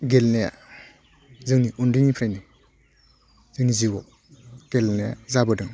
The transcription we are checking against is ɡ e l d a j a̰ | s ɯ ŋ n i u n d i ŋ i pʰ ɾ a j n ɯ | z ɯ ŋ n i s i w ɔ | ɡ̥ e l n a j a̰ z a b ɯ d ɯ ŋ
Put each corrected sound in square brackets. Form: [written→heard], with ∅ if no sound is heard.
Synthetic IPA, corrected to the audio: ɡ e l [d→n] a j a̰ | [s→z] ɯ ŋ n i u n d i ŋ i pʰ ɾ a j n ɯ | z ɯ ŋ n i [s→z] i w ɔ | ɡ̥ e l n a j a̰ z a b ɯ d ɯ ŋ